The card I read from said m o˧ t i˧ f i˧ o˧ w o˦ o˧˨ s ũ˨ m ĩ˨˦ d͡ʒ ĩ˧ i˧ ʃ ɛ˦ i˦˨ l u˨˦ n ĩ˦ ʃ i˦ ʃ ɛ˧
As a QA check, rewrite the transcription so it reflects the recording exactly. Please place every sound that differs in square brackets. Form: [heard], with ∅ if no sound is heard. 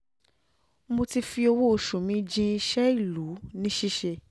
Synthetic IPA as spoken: m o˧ t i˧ f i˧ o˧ w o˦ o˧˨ [ʃ] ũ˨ m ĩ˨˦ d͡ʒ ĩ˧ i˧ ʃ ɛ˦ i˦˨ l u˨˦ n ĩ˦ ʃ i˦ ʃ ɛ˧

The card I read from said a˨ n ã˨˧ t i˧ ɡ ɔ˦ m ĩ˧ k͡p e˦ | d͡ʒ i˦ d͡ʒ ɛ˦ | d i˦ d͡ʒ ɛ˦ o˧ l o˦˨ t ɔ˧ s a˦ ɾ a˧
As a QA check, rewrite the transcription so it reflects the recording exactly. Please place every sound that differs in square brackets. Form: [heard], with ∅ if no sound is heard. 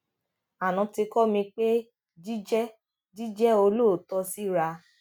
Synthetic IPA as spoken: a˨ n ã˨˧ t i˧ [k] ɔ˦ m ĩ˧ k͡p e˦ | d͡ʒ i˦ d͡ʒ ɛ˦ | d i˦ d͡ʒ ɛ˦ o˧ l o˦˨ t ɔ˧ s [i˦] ɾ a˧

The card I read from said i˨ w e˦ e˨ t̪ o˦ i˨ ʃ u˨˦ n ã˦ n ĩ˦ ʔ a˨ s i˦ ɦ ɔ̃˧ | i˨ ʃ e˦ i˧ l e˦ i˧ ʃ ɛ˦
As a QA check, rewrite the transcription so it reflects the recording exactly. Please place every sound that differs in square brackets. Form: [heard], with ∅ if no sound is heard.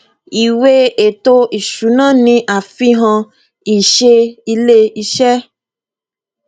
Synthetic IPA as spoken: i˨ w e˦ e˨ t̪ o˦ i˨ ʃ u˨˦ n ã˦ n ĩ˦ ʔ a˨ [f] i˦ ɦ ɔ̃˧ | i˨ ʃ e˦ i˧ l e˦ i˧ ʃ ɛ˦

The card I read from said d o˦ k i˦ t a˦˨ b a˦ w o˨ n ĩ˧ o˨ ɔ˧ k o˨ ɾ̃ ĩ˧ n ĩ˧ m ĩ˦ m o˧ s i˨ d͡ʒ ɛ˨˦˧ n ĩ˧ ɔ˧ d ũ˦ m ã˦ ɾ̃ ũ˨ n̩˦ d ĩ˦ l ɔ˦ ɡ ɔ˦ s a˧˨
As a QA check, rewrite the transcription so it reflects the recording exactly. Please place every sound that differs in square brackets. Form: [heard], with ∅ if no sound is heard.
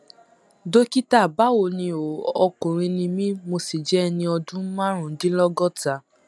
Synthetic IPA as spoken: d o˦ k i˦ t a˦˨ b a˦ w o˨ n ĩ˧ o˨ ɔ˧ k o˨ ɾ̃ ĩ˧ n ĩ˧ m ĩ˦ m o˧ s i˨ d͡ʒ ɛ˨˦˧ n ĩ˧ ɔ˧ d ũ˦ m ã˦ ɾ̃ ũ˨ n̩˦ d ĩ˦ l ɔ˦ ɡ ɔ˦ [t] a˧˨

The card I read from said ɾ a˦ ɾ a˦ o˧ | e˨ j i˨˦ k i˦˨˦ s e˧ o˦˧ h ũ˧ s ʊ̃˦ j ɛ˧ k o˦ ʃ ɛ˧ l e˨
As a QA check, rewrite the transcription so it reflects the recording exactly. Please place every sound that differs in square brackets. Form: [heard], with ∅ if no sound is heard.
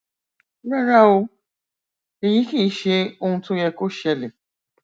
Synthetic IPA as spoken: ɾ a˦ ɾ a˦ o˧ | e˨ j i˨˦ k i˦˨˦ [ʃ] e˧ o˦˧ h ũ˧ [t] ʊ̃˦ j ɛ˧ k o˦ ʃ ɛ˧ l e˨

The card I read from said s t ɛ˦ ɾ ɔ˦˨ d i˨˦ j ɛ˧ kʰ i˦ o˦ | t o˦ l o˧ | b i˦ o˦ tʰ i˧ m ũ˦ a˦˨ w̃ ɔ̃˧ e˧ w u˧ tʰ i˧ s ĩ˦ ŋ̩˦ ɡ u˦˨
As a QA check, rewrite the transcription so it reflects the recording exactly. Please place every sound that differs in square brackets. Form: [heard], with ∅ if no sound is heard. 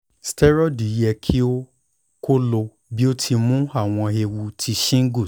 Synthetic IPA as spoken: s t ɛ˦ ɾ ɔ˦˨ d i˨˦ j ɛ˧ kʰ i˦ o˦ | [k] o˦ l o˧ | b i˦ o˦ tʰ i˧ m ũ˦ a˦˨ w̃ ɔ̃˧ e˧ w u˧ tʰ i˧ [ʃ] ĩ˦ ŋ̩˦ ɡ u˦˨

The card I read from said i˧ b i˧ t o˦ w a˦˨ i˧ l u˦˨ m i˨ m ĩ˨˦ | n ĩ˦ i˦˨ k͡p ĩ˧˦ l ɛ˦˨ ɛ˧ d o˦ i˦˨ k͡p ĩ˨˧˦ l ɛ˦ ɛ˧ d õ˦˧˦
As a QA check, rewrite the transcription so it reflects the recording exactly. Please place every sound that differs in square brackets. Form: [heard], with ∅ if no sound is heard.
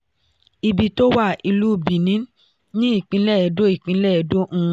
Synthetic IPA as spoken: i˧ b i˧ t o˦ w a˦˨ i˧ l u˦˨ [b] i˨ [n] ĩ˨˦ | n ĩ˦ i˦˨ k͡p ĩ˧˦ l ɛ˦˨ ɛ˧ d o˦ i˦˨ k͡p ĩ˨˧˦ l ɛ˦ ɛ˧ d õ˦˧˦

